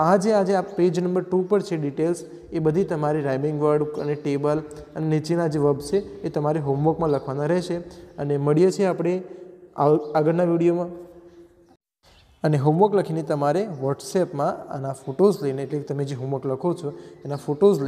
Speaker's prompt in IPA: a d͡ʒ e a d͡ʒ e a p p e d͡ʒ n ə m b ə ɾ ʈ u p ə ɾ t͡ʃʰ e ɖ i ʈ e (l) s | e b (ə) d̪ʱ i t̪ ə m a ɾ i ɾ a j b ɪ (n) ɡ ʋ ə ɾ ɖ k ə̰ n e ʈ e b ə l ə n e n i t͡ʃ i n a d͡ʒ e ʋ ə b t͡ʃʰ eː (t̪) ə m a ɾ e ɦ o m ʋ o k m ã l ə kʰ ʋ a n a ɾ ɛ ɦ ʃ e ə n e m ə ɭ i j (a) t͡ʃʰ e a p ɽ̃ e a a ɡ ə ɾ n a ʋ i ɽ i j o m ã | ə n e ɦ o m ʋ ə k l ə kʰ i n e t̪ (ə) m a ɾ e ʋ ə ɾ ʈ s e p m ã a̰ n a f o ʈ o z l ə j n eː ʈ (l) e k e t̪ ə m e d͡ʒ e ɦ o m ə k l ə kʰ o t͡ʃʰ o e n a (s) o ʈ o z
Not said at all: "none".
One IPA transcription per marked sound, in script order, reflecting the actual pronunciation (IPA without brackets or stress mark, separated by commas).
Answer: l, ə, ŋ, t̪, e, ə, l, f